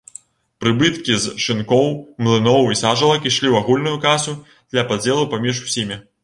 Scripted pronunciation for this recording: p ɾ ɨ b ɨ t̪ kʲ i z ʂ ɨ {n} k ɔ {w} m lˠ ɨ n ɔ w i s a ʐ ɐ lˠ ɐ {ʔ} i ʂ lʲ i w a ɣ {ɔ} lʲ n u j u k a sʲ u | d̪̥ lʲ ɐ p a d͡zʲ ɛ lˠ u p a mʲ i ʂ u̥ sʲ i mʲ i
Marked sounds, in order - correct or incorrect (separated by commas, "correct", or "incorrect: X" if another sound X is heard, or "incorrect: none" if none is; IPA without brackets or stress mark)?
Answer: correct, correct, incorrect: k, incorrect: u